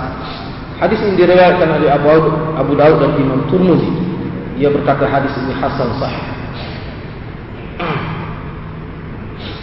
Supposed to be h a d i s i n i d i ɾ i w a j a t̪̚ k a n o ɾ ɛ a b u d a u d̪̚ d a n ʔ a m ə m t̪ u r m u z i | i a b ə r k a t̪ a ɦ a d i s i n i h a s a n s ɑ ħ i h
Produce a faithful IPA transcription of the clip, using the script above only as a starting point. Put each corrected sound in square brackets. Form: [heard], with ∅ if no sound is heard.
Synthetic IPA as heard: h a d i s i n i d i ɾ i w a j a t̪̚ k a n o [l] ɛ a b u d a u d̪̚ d a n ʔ [i] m [a] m t̪ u r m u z i | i a b ə r k a t̪ a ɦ a d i s i n i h a s a n s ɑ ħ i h